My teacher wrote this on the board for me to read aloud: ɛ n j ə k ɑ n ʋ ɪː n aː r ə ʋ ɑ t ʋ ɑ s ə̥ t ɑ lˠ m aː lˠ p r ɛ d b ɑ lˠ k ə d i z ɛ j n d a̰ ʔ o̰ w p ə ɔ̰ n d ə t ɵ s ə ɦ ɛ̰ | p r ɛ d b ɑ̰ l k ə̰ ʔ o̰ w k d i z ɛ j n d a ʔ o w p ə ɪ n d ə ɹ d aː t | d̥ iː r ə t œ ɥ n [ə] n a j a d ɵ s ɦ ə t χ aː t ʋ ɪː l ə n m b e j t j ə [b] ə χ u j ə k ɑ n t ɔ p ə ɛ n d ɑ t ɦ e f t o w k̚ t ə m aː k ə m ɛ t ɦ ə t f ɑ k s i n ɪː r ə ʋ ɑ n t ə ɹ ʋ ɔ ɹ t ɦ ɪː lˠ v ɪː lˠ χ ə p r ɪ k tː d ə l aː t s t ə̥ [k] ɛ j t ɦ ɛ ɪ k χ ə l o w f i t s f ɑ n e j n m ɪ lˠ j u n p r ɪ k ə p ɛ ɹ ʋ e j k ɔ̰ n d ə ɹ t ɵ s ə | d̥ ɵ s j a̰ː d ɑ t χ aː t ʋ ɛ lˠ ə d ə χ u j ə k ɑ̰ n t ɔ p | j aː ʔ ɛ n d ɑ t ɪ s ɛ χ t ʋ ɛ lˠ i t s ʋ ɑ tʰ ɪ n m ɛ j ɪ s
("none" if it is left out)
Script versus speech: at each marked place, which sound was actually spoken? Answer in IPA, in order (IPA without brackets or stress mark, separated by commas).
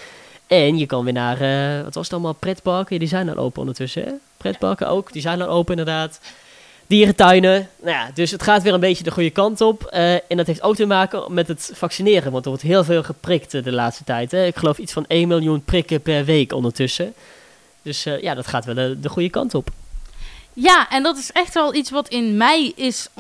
ə, d, t